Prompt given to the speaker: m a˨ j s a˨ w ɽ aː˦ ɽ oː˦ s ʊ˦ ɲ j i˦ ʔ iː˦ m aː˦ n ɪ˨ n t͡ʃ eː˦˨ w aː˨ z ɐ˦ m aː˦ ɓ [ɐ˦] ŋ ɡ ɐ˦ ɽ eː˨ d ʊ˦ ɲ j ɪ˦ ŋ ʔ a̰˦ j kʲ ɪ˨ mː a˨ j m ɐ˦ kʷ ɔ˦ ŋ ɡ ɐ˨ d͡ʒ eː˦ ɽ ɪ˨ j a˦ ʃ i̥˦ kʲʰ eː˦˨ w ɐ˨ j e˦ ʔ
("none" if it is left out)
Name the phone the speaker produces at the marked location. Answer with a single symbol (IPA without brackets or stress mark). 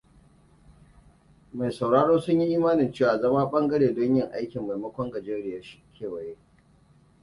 ɐ˦